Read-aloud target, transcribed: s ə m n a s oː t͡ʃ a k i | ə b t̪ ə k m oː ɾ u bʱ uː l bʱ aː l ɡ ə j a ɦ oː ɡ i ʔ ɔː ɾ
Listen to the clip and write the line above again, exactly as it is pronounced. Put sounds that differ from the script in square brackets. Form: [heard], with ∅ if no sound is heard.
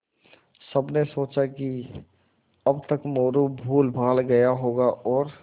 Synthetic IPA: s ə [b] n [e] s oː t͡ʃ a k i | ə b t̪ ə k m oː ɾ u bʱ uː l bʱ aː l ɡ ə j a ɦ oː ɡ [a] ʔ ɔː ɾ

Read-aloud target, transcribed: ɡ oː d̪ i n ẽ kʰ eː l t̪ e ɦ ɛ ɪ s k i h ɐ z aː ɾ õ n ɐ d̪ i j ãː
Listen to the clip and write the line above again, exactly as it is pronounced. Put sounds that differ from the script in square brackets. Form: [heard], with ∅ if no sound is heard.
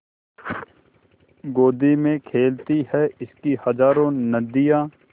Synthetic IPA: ɡ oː d̪ i [m] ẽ kʰ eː l t̪ [i] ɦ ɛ ɪ s k i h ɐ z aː ɾ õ n ɐ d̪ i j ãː

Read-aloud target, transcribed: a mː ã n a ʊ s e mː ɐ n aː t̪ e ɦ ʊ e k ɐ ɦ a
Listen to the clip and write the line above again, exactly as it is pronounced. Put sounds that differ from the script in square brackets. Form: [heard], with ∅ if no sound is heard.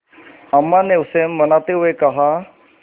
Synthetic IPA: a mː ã n [e] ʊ s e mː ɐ n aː t̪ e ɦ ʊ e k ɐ ɦ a

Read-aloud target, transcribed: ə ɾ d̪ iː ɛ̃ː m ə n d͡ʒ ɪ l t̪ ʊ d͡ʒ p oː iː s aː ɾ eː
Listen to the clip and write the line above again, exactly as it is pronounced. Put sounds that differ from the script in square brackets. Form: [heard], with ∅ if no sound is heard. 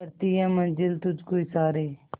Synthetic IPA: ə ɾ [t̪] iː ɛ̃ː m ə n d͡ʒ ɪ l t̪ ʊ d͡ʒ [k] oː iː s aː ɾ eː

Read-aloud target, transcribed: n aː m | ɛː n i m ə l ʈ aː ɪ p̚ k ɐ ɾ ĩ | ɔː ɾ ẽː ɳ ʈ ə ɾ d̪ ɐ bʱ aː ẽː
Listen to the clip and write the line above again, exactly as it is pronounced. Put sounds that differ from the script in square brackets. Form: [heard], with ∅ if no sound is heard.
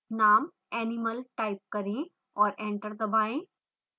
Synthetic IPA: n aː m | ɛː n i m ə l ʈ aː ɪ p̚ k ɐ ɾ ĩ | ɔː ɾ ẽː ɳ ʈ ə ɾ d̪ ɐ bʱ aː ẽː

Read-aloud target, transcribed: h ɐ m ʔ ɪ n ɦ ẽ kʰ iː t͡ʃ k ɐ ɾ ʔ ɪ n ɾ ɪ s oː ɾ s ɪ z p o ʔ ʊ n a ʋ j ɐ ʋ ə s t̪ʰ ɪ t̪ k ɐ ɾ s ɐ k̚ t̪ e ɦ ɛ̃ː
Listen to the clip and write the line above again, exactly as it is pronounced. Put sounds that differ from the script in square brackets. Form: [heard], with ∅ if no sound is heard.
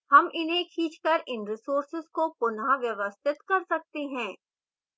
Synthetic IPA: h ɐ m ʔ ɪ n ɦ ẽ kʰ iː t͡ʃ k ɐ ɾ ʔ ɪ n ɾ ɪ s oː ɾ s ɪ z [k] o [p] ʊ n a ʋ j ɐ ʋ ə s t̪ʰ ɪ t̪ k ɐ ɾ s ɐ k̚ t̪ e ɦ ɛ̃ː

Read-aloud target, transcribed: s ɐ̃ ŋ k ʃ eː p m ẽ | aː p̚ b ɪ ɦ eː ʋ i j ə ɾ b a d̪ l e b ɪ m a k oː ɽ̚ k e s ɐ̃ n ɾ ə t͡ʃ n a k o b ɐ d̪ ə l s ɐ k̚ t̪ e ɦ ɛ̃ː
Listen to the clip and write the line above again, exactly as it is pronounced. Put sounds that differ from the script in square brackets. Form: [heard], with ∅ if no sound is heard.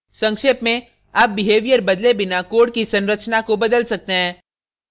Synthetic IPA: s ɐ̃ ŋ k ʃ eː p m ẽ | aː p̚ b ɪ ɦ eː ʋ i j ə ɾ b [ɐ] d̪ l e b ɪ [n] a k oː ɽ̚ k [i] s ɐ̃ n ɾ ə t͡ʃ n a k o b ɐ d̪ ə l s ɐ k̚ t̪ e ɦ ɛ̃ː

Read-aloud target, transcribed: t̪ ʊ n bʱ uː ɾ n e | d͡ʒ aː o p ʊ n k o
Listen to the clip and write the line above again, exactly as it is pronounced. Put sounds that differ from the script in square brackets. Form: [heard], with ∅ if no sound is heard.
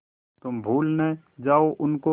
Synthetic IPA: t̪ ʊ [m] bʱ uː [l] n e | d͡ʒ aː o [ʔ] ʊ n k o

